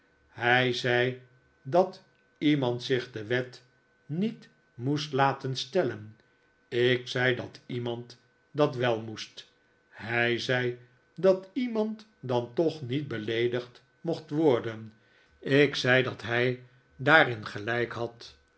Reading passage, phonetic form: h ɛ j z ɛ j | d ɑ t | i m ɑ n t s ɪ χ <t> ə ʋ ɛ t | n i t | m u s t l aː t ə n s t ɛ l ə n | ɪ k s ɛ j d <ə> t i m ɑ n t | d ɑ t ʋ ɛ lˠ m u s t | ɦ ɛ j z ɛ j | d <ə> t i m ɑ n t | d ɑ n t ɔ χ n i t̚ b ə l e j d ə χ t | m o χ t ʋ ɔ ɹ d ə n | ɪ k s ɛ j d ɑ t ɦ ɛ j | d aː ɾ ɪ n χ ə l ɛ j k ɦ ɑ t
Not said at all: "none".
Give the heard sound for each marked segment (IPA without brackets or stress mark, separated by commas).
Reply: d, ɑ, ɑ